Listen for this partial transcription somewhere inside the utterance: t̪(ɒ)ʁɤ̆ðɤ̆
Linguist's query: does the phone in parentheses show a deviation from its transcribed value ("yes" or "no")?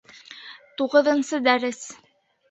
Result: yes